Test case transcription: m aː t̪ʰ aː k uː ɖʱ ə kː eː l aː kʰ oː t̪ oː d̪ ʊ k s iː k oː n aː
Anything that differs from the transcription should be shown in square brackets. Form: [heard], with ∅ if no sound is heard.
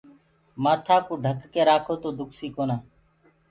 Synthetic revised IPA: m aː t̪ʰ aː k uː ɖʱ ə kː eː [ɾ] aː kʰ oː t̪ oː d̪ ʊ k s iː k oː n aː